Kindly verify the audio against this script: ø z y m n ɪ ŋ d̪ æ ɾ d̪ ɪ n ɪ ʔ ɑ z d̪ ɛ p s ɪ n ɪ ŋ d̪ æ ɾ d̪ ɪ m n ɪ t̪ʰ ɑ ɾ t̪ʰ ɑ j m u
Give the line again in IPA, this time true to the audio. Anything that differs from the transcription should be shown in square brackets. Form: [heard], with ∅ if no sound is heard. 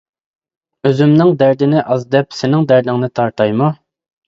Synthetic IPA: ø z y m n ɪ ŋ d̪ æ ɾ d̪ ɪ n ɪ ʔ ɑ z d̪ ɛ p s ɪ n ɪ ŋ d̪ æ ɾ d̪ ɪ [ŋ] n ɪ t̪ʰ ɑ ɾ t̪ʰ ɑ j m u